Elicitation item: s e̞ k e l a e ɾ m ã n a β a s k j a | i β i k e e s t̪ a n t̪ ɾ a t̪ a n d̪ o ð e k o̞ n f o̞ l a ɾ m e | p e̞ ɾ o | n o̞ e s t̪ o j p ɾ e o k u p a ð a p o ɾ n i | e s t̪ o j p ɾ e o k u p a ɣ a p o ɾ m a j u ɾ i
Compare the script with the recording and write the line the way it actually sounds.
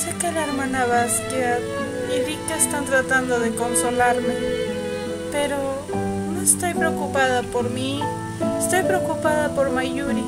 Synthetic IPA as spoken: s e̞ k e l a e ɾ m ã n a β a s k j a | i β i k e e s t̪ a n t̪ ɾ a t̪ a n d̪ o ð e k o̞ n s o̞ l a ɾ m e | p e̞ ɾ o | n o̞ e s t̪ o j p ɾ e o k u p a ð a p o ɾ m i | e s t̪ o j p ɾ e o k u p a ð a p o ɾ m a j u ɾ i